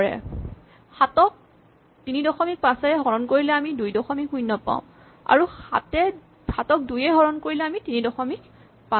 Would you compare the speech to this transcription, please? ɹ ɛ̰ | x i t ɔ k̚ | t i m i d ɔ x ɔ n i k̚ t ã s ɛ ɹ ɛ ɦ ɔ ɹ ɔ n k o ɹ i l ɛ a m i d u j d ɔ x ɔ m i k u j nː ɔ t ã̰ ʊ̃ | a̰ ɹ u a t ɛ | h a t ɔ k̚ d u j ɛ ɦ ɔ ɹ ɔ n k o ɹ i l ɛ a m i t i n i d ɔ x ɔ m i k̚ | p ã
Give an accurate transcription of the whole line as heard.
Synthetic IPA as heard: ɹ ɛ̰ | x a t ɔ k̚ | t i n i d ɔ x ɔ m i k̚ p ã s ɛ ɹ ɛ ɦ ɔ ɹ ɔ n k o ɹ i l ɛ a m i d u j d ɔ x ɔ m i k u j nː ɔ p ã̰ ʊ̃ | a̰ ɹ u a t ɛ | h a t ɔ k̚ d u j ɛ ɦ ɔ ɹ ɔ n k o ɹ i l ɛ a m i t i n i d ɔ x ɔ m i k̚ | p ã